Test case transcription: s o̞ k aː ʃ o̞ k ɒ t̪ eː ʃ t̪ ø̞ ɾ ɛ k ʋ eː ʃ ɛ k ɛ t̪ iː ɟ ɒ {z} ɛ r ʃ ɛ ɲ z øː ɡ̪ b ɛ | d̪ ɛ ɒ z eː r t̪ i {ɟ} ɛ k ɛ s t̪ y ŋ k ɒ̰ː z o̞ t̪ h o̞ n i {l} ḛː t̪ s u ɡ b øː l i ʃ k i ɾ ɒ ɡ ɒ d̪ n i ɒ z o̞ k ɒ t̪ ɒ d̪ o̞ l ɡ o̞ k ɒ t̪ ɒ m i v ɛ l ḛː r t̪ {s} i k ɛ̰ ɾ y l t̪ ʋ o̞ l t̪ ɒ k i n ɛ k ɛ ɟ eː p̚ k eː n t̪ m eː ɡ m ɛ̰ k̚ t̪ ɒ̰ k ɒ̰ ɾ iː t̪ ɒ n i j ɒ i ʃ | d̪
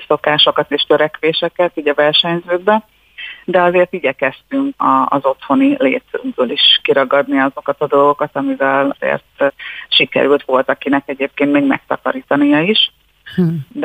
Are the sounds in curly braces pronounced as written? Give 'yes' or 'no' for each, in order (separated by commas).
no, yes, yes, no